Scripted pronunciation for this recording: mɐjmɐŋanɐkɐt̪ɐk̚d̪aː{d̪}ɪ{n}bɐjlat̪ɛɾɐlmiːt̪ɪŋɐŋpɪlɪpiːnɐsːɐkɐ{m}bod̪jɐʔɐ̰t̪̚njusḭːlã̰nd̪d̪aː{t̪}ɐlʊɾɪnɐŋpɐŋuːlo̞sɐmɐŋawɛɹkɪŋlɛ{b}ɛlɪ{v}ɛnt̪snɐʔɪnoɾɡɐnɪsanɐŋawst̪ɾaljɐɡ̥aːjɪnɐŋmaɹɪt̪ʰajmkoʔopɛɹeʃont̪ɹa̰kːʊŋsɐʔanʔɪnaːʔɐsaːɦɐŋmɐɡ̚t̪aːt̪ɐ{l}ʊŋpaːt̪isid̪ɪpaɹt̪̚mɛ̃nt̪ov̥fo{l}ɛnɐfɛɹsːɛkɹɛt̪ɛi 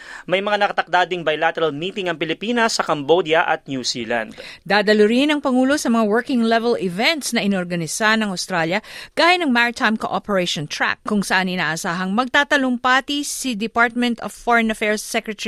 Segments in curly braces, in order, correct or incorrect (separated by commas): correct, incorrect, correct, incorrect, incorrect, correct, correct, incorrect